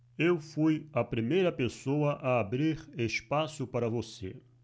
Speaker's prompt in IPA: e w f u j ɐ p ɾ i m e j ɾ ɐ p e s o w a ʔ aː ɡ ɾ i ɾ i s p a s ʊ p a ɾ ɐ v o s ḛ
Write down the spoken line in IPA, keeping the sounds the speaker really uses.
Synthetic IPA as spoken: e w f u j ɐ p ɾ i m e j ɾ ɐ p e s o w ɐ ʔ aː b ɾ i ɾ e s p a s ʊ p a ɾ ɐ v o s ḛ